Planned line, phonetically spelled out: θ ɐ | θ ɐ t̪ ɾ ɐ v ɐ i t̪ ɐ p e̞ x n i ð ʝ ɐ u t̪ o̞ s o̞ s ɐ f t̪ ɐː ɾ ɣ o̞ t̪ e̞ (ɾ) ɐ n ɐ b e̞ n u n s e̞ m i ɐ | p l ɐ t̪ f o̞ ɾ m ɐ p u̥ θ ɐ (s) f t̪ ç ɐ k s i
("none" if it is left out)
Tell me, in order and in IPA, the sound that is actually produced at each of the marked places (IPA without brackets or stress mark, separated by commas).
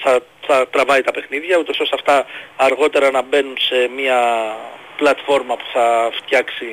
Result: ɾ, none